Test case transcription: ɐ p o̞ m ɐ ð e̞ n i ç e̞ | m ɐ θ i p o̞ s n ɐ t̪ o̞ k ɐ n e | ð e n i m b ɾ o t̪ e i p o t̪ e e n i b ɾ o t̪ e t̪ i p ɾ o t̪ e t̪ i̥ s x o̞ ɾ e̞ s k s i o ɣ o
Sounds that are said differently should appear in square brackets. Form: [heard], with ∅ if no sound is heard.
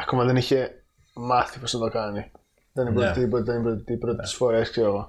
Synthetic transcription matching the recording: ɐ [k] o̞ m ɐ ð e̞ n i ç e̞ | m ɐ θ i p o̞ s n ɐ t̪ o̞ k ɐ n [i] | ð e n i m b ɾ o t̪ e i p o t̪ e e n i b ɾ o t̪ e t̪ i p ɾ o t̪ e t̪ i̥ s [f] o̞ ɾ e̞ s k s [e] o ɣ o